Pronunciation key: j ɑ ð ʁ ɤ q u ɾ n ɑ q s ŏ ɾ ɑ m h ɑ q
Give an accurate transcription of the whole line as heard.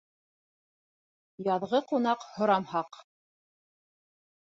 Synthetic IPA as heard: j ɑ ð ʁ ɤ q u n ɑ q h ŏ ɾ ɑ m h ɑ q